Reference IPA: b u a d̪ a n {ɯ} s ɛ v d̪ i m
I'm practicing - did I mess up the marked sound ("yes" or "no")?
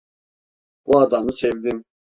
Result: no